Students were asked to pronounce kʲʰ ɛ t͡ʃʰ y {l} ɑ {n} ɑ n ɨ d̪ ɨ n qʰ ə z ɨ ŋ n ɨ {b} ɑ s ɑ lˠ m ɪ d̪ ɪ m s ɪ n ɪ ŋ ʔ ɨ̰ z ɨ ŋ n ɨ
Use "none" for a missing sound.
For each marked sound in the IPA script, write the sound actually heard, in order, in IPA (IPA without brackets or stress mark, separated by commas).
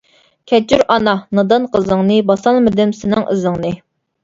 ɾ, n, b